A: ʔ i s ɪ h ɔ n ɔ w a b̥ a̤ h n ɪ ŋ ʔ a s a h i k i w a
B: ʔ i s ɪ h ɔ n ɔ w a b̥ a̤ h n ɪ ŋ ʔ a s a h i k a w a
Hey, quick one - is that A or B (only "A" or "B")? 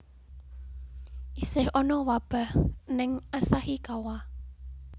B